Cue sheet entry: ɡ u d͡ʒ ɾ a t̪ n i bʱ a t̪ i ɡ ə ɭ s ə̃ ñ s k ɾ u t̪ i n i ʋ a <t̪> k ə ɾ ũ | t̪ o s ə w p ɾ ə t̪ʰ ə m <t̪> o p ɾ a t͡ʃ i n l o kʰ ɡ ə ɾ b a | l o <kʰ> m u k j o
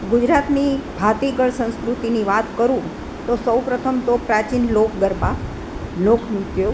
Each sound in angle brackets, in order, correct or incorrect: correct, correct, correct

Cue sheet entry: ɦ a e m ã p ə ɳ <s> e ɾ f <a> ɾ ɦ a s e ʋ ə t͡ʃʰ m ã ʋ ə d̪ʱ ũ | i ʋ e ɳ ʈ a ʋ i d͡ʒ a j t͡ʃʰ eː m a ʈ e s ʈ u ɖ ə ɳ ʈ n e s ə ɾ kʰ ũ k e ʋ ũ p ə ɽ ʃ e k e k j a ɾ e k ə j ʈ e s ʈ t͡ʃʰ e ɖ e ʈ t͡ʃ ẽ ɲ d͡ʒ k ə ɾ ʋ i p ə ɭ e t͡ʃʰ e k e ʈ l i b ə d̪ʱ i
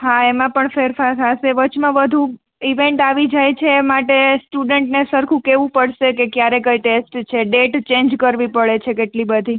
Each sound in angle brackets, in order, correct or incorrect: incorrect: f, correct

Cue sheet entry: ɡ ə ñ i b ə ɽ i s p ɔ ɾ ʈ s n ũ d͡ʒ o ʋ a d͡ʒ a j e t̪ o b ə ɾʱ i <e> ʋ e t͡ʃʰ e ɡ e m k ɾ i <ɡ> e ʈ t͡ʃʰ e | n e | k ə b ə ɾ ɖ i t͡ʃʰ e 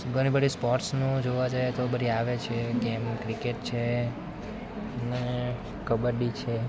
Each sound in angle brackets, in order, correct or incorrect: incorrect: a, incorrect: k

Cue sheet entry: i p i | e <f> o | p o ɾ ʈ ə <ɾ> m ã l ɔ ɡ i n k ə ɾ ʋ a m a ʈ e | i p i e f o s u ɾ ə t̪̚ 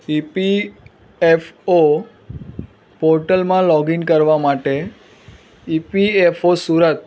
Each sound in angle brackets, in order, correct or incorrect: correct, incorrect: l

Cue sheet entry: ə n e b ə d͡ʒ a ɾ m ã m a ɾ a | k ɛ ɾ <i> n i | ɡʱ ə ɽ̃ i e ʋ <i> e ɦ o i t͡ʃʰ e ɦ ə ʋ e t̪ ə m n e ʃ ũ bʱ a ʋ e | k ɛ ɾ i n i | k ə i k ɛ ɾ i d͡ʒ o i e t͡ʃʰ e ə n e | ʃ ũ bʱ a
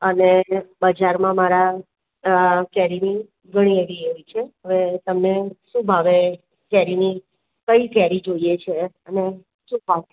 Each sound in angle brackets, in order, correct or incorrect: correct, correct

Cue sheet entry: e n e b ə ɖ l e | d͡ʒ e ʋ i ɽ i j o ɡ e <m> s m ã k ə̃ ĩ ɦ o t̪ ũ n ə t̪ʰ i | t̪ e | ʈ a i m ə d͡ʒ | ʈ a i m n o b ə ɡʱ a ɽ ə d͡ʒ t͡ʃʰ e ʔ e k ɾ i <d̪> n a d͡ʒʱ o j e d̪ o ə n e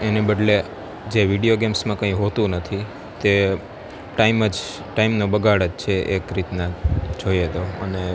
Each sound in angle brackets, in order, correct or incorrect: correct, incorrect: t̪

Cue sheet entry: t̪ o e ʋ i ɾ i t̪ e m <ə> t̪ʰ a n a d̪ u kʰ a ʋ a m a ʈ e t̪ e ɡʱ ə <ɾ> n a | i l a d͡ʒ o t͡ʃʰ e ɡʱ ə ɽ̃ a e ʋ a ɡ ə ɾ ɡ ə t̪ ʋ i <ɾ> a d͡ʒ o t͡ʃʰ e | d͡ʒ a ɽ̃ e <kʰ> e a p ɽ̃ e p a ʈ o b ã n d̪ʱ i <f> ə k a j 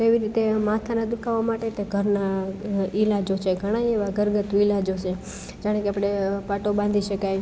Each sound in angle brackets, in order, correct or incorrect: incorrect: a, correct, incorrect: l, incorrect: k, incorrect: ʃ

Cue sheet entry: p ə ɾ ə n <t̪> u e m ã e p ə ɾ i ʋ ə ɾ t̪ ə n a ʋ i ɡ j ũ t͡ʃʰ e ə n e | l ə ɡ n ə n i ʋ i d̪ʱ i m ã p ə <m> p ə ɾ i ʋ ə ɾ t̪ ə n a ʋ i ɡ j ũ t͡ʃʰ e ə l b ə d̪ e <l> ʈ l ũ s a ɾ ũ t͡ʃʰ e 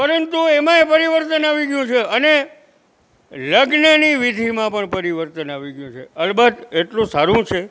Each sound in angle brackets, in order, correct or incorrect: correct, incorrect: ɳ, incorrect: none

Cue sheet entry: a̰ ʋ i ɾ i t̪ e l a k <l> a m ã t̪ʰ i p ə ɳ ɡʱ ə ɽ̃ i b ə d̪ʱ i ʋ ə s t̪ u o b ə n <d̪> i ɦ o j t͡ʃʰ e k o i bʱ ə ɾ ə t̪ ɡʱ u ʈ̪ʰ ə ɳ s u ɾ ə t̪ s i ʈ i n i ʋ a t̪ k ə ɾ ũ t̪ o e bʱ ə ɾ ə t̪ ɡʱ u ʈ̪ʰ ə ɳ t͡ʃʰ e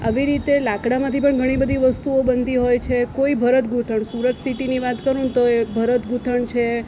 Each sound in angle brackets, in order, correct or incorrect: incorrect: ɽ, correct

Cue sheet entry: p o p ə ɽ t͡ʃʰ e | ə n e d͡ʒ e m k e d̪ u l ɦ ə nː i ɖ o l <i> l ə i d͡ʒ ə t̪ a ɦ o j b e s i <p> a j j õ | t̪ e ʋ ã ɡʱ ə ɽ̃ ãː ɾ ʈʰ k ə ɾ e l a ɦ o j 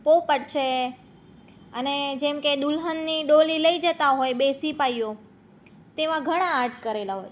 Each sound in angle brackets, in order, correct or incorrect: correct, correct

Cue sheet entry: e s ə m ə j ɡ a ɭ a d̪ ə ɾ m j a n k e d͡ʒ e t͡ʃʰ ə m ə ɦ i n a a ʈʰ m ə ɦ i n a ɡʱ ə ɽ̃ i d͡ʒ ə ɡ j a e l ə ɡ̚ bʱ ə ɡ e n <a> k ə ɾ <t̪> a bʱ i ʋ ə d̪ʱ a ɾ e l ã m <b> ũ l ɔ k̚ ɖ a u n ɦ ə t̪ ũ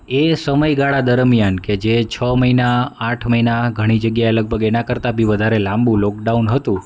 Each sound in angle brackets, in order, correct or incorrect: correct, correct, correct

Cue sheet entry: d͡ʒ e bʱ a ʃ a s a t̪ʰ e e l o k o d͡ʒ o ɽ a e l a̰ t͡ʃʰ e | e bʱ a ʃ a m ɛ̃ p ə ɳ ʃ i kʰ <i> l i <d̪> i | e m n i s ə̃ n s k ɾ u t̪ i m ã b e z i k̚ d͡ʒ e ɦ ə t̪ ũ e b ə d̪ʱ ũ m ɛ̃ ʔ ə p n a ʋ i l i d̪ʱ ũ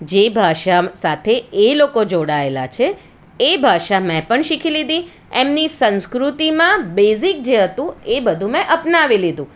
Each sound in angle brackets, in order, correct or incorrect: correct, correct

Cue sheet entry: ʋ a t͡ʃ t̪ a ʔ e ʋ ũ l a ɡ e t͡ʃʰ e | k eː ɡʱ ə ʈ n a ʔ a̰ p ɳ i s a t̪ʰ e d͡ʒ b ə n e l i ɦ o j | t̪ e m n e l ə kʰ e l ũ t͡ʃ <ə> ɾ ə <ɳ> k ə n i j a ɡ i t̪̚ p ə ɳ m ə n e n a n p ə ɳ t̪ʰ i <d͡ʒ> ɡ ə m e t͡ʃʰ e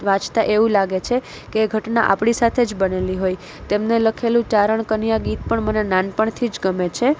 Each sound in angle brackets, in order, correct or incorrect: incorrect: a, correct, correct

